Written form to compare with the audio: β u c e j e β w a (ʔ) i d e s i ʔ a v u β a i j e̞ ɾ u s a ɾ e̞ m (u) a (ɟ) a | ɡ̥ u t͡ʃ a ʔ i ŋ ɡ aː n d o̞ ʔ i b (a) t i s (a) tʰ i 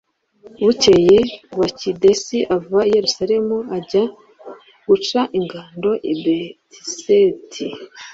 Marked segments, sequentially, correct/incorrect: incorrect, correct, correct, incorrect, incorrect

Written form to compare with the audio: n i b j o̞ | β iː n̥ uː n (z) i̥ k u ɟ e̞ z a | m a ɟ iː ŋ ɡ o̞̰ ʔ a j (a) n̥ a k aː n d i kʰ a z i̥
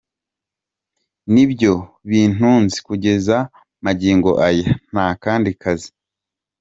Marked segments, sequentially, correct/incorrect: correct, correct

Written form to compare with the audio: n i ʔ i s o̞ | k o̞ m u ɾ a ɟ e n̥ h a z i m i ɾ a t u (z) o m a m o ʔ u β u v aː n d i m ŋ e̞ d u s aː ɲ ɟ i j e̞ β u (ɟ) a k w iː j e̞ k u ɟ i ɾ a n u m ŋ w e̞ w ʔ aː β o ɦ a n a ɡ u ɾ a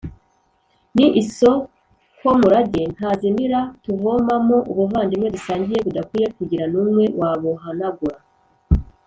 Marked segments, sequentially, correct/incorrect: incorrect, incorrect

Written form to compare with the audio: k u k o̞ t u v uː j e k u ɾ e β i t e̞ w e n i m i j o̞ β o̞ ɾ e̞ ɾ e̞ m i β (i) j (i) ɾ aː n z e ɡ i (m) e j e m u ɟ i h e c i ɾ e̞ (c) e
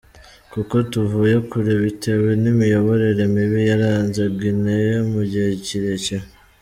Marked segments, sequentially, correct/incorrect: correct, incorrect, incorrect, correct

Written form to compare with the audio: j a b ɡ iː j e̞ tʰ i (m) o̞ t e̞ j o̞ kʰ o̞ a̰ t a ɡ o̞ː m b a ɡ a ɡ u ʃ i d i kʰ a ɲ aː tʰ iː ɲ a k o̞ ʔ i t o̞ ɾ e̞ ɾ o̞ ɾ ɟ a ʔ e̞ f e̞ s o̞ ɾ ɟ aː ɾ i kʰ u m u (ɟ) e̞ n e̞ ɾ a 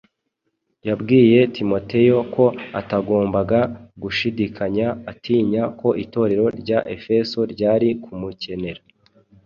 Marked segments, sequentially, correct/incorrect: correct, incorrect

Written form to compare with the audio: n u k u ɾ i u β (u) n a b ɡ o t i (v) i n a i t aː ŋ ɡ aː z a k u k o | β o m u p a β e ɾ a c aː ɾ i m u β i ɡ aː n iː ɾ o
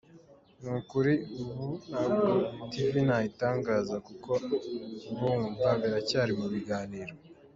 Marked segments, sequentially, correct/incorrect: correct, correct

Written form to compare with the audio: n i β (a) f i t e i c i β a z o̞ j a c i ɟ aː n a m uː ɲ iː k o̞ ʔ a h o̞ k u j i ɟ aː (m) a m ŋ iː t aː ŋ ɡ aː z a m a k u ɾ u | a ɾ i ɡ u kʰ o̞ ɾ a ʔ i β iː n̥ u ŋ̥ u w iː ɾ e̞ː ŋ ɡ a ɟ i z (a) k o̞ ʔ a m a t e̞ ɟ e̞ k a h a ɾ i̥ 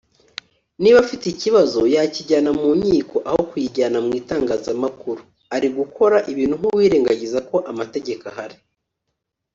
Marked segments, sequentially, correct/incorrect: correct, incorrect, correct

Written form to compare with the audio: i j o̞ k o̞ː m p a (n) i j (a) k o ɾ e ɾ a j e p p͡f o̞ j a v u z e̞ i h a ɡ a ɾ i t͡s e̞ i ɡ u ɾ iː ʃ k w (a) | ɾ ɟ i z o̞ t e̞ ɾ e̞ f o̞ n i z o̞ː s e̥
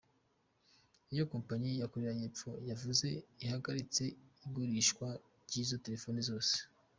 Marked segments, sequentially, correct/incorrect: incorrect, correct, correct

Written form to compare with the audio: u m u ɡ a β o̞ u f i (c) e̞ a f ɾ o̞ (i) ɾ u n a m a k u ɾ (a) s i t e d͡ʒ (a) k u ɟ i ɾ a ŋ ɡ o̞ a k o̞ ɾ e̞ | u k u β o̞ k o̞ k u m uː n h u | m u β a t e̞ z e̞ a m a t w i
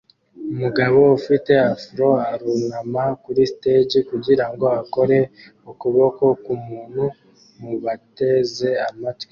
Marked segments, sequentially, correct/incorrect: incorrect, incorrect, incorrect, incorrect

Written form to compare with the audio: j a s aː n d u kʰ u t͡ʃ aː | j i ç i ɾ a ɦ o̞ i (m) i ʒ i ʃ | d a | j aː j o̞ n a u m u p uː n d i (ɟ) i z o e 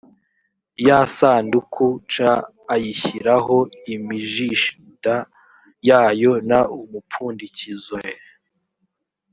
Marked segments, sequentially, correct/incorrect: correct, incorrect

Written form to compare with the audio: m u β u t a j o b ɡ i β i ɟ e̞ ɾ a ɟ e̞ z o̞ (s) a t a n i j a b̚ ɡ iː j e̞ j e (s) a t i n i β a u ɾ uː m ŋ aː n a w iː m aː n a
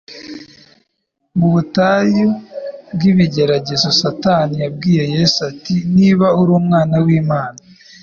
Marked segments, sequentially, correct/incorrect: correct, correct

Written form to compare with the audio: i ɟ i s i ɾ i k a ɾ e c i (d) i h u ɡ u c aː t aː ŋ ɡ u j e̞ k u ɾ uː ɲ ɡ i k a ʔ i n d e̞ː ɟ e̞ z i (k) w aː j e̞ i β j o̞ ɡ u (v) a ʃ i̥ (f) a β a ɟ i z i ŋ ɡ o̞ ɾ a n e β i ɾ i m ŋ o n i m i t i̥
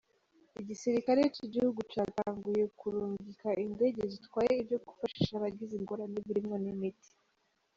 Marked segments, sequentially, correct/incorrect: incorrect, incorrect, incorrect, incorrect

